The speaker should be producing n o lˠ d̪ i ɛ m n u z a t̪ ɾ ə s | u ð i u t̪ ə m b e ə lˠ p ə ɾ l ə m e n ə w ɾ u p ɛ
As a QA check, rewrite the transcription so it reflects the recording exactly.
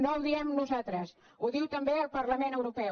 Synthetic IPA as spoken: n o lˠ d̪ i ɛ m n u z a t̪ ɾ ə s | u ð i w t̪ ə m b e ə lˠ p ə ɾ l ə m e n ə w ɾ u p ɛ